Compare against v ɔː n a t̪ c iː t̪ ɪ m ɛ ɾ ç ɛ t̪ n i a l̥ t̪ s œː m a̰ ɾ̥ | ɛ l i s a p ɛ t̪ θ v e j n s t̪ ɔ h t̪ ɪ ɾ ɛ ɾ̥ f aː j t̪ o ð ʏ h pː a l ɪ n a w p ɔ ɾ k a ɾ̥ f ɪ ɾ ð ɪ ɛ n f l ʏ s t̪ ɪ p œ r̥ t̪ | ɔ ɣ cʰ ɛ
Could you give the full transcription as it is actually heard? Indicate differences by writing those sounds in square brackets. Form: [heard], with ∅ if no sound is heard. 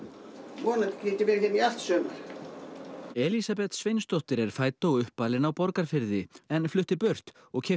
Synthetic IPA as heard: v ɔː n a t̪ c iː t̪ ɪ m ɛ ɾ ç ɛ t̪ n i a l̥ t̪ s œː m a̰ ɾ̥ | ɛ l i s a p ɛ t̪ [s] v e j n s t̪ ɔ h t̪ ɪ ɾ ɛ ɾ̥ f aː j t̪ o [ɣ] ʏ h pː a l ɪ n a w p ɔ ɾ k a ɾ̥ f ɪ ɾ ð ɪ ɛ n f l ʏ [h] t̪ ɪ p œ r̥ t̪ | ɔ ɣ cʰ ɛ